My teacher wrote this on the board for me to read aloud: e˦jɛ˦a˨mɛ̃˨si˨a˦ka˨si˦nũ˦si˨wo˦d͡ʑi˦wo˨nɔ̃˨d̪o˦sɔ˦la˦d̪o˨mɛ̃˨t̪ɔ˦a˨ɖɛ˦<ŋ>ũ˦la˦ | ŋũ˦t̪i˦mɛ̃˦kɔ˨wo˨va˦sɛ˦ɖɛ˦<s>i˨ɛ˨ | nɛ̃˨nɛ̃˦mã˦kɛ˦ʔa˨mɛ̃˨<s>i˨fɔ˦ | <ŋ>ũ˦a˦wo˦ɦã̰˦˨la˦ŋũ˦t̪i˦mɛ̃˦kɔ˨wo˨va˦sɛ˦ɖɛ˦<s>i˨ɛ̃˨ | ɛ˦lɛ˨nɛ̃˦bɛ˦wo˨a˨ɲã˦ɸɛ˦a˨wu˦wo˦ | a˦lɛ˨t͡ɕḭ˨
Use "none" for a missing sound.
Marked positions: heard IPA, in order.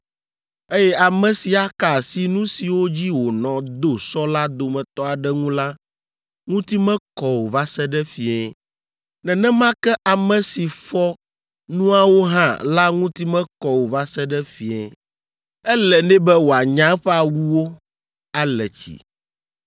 ŋ, f, s, n, f

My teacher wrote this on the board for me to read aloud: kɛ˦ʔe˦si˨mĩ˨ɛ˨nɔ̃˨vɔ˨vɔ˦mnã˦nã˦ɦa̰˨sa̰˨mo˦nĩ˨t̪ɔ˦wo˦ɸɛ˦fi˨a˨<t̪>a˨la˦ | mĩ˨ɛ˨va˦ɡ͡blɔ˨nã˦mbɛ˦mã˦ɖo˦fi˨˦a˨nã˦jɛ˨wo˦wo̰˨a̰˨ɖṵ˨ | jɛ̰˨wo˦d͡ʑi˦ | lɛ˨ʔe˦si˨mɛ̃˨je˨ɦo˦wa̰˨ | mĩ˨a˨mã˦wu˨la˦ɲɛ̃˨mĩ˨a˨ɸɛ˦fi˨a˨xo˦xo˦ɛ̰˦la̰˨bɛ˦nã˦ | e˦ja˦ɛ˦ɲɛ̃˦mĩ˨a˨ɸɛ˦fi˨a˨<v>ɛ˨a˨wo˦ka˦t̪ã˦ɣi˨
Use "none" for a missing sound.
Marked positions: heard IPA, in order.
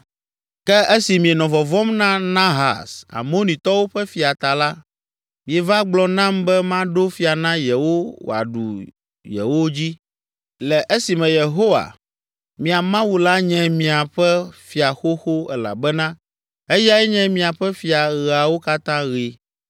t̪, ɣ

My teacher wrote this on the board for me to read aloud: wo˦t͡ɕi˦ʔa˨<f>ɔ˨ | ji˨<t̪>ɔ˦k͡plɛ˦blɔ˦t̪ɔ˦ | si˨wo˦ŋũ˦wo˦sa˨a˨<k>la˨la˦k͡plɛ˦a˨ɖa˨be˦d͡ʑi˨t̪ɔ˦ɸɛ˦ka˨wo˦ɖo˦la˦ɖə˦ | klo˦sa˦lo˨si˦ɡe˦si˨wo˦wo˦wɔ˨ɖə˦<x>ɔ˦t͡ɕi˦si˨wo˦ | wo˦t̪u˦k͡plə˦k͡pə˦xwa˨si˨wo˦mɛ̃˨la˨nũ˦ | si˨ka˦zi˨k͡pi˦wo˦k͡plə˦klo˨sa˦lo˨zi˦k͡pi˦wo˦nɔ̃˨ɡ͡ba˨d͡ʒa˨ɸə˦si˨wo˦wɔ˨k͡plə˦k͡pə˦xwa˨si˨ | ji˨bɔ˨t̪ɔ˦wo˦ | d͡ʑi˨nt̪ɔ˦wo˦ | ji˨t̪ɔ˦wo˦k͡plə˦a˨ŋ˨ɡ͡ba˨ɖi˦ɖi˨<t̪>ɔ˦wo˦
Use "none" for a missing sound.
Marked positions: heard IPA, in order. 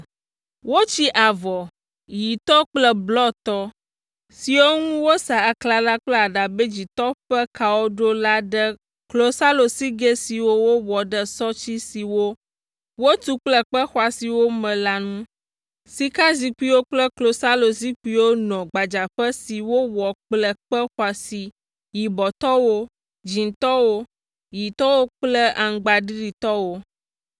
v, t̪, k, s, t̪

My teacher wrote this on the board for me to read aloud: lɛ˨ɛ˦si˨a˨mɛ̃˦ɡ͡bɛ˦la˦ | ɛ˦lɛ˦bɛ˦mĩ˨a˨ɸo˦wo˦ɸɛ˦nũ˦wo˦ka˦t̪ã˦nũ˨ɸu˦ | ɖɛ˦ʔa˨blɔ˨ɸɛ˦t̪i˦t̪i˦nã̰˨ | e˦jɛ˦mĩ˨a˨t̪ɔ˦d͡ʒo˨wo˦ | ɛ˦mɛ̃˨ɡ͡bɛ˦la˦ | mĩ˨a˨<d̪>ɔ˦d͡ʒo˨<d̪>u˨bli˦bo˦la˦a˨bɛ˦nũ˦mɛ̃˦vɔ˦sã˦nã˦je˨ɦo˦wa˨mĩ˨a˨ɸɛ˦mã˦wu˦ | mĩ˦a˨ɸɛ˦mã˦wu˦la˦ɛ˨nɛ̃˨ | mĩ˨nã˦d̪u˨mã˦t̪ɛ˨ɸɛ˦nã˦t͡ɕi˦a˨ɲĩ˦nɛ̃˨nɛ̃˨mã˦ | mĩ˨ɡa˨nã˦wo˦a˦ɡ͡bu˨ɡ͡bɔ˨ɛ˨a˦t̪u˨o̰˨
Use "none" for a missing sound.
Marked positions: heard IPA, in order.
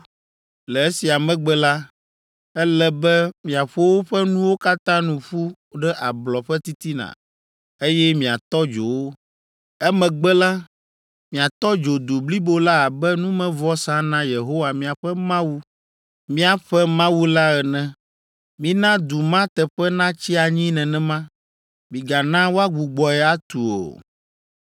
t̪, d̪

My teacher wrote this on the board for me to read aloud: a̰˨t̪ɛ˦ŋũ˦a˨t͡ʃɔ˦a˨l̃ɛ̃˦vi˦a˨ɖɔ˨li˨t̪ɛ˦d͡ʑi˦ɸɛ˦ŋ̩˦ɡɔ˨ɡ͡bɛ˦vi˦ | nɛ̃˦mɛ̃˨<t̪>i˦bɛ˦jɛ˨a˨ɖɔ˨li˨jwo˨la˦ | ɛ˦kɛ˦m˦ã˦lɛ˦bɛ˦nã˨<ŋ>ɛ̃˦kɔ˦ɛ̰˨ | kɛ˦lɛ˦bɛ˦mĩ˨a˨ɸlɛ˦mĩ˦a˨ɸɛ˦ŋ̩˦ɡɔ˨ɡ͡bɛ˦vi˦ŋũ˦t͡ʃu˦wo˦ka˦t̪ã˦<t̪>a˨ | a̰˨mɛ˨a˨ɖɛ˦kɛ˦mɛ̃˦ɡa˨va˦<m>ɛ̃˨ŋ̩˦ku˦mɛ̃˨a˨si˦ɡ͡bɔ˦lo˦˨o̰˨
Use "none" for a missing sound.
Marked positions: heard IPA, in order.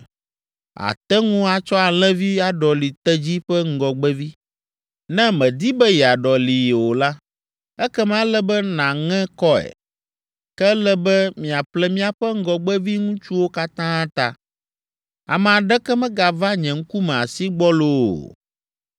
d̪, ŋ, t̪, ɲ

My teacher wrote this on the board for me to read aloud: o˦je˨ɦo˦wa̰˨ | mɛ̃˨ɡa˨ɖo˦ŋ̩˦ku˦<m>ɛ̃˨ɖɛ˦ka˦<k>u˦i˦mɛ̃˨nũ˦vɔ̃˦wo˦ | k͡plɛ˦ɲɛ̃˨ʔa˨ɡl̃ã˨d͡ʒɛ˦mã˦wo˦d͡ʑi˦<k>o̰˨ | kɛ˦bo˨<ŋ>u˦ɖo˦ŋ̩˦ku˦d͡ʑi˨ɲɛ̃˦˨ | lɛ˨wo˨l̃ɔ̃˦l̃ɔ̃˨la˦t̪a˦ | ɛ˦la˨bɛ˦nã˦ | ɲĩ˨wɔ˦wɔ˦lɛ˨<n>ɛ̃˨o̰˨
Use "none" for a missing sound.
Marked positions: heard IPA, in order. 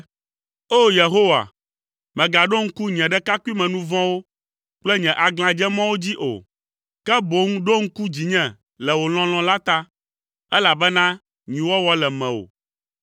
ɲ, k, ʔ, ŋ, m

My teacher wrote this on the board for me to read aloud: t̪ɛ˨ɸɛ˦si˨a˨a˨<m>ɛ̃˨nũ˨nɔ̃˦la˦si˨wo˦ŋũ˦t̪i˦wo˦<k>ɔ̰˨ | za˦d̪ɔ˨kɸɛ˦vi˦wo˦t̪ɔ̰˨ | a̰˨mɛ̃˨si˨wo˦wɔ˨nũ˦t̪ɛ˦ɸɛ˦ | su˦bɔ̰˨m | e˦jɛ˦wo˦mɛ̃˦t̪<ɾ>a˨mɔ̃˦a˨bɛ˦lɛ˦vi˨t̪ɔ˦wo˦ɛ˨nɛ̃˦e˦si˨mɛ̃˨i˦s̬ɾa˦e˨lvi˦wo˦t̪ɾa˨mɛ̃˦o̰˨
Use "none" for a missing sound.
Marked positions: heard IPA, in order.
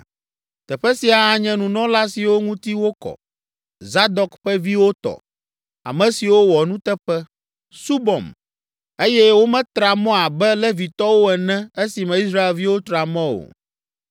ɲ, k, ɾ

